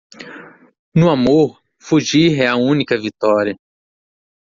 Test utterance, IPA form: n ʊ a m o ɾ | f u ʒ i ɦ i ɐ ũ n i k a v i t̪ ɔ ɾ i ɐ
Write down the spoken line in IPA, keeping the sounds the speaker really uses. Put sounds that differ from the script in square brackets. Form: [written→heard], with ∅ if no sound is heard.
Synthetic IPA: n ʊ a m o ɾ | f u ʒ i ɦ [i→ɛ] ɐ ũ n i k [a→ɐ] v i t̪ ɔ ɾ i ɐ